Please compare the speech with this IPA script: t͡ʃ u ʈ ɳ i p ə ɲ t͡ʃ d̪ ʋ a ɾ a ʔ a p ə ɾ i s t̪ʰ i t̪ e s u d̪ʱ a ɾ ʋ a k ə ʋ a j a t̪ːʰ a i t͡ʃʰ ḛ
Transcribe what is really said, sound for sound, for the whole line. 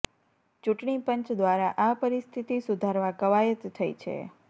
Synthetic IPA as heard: t͡ʃ u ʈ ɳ i p ə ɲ t͡ʃ d̪ ʋ a ɾ a ʔ a p ə ɾ i s t̪ʰ i t̪ i s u d̪ʱ a ɾ ʋ a k ə ʋ a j ə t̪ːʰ ə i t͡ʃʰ ḛ